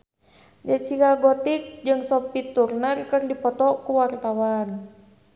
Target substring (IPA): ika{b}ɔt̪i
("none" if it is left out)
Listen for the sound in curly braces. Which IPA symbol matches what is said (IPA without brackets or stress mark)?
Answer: ɡ